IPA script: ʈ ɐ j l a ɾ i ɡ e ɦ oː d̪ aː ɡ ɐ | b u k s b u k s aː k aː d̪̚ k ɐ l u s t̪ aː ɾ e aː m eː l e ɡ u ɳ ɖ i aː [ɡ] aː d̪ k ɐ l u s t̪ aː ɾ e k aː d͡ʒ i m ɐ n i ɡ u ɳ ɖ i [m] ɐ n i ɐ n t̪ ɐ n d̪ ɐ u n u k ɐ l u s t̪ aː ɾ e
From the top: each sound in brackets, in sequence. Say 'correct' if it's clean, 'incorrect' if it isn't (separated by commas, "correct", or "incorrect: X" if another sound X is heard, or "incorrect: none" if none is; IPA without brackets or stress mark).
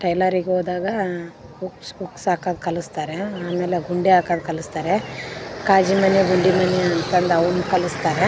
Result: incorrect: k, correct